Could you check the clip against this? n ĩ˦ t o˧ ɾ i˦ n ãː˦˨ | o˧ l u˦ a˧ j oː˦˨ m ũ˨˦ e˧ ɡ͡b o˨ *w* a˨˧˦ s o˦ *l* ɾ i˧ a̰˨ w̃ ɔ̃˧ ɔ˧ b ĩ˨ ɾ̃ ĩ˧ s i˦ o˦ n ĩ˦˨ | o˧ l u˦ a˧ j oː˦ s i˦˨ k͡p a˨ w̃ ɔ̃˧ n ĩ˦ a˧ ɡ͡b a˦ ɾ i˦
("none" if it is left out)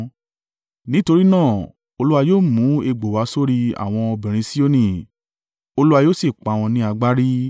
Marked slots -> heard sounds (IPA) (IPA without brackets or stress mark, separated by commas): w, none